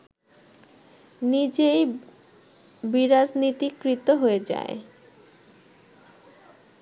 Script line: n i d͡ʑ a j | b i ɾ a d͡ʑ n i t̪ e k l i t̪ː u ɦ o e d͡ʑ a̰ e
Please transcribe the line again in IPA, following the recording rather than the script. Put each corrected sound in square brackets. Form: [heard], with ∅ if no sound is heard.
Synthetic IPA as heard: n i d͡ʑ [e] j | b i ɾ a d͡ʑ n i t̪ [i] k [ɾ] i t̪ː [o] ɦ o e d͡ʑ a̰ e